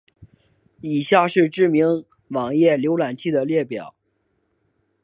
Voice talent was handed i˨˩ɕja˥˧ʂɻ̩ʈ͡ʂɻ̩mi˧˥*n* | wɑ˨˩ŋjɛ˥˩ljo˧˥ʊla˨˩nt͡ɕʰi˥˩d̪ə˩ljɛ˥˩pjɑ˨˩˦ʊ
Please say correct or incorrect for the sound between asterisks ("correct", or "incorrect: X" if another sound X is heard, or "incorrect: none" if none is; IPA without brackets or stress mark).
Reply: incorrect: ŋ